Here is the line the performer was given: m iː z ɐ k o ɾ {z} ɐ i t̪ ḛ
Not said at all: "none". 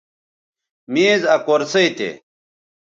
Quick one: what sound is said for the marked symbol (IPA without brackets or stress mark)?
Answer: s